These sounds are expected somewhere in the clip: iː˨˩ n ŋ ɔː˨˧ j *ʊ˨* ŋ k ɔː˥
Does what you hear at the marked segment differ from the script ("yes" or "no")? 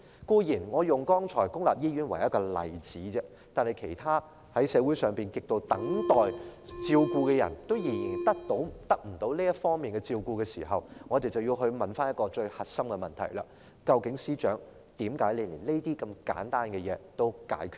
no